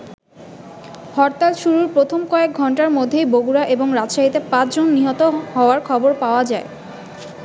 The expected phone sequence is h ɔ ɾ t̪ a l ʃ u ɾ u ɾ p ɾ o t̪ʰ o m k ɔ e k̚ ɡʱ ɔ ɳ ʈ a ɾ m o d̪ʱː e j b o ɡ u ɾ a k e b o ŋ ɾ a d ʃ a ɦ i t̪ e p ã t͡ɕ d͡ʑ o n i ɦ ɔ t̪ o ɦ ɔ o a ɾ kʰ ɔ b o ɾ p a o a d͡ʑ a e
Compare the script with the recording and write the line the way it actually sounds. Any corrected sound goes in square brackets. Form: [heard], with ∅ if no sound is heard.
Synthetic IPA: h ɔ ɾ t̪ a l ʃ u ɾ u ɾ p ɾ o t̪ʰ o m k ɔ e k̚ ɡʱ ɔ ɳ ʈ a ɾ m o d̪ʱː e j b o ɡ u ɾ a [ʔ] e b o ŋ ɾ a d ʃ a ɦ i t̪ e p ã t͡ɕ d͡ʑ o [nː] i ɦ ɔ t̪ o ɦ ɔ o a ɾ kʰ ɔ b o ɾ p a o a d͡ʑ a e